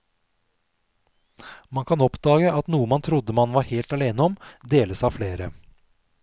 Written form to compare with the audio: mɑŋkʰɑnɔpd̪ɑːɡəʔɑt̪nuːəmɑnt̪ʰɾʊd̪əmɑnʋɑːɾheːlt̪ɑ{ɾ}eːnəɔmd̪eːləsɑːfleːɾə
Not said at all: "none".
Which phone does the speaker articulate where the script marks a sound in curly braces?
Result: l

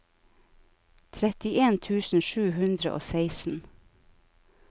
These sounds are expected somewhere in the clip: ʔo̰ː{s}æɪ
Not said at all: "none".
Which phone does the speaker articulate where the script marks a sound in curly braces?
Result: s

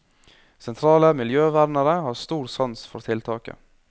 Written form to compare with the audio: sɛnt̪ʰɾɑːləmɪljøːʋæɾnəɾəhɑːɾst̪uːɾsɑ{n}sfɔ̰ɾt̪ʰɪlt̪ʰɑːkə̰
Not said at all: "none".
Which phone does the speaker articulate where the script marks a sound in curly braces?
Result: n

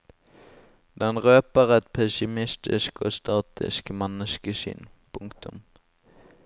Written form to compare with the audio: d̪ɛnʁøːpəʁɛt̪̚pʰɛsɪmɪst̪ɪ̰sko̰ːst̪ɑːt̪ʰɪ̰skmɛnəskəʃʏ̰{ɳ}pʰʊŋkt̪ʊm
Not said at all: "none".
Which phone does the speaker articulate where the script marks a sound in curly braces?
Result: n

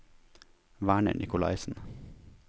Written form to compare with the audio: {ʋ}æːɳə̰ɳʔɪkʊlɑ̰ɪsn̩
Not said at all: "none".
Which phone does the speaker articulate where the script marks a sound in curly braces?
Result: ʋ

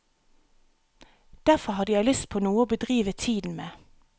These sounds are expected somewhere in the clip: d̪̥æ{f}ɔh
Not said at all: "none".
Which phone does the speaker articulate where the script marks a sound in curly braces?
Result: f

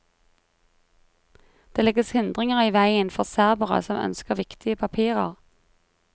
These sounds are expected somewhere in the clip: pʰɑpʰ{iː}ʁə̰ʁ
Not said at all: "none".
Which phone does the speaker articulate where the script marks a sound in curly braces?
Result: iː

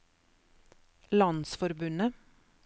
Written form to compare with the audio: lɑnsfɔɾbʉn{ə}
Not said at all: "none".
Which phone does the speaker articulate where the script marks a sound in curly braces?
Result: ə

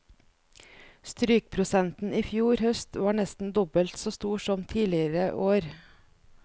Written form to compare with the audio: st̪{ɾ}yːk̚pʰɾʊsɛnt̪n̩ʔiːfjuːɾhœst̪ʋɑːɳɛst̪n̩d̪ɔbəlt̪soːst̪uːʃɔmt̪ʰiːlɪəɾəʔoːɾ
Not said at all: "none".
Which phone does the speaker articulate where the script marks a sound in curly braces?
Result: ɾ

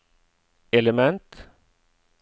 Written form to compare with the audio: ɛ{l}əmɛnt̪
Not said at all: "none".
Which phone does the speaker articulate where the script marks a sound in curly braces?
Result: l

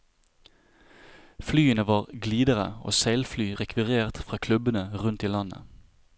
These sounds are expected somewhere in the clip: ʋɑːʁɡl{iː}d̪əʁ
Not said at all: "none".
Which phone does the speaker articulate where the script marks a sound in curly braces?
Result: iː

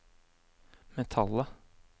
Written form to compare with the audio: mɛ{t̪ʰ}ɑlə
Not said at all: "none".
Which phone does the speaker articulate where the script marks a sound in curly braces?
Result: t̪ʰ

